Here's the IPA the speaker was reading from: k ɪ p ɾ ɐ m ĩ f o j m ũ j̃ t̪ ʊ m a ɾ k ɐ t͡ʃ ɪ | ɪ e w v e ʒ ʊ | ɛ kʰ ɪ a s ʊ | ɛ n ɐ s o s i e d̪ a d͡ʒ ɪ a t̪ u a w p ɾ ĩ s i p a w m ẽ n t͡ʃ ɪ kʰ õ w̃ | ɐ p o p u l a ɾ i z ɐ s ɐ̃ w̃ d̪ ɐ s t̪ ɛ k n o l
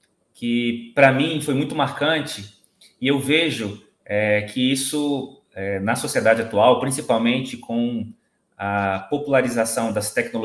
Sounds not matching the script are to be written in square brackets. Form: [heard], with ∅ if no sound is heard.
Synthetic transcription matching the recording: k ɪ p ɾ ɐ m ĩ f o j m ũ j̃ t̪ ʊ m a ɾ k [ɐ̃] t͡ʃ ɪ | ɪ e w v e ʒ ʊ | ɛ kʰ ɪ [i] s ʊ | ɛ n ɐ s o s i e d̪ a d͡ʒ ɪ a t̪ u a w p ɾ ĩ s i p a w m ẽ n t͡ʃ ɪ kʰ õ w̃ | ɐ p o p u l a ɾ i z [a] s ɐ̃ w̃ d̪ ɐ s t̪ ɛ k n o l